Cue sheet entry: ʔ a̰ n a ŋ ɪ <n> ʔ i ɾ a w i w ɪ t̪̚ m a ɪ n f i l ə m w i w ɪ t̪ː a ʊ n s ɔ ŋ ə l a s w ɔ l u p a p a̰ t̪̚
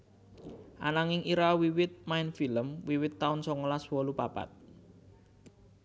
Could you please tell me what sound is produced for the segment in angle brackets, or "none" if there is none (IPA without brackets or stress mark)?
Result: ŋ